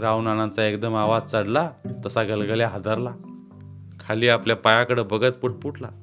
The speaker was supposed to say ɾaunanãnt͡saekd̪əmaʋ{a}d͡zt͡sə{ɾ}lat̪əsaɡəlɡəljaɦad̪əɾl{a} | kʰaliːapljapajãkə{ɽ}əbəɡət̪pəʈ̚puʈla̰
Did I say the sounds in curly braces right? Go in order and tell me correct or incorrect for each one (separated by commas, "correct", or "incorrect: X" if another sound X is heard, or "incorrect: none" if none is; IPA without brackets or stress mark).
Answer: correct, incorrect: ɽ, correct, correct